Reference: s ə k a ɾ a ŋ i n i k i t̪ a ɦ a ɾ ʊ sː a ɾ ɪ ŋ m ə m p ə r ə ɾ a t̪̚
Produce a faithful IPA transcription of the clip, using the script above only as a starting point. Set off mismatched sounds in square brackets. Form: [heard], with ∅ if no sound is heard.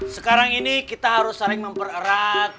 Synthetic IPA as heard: s ə k a ɾ a ŋ i n i k i t̪ a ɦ a ɾ ʊ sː a ɾ ɪ ŋ m ə m p ə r ə ɾ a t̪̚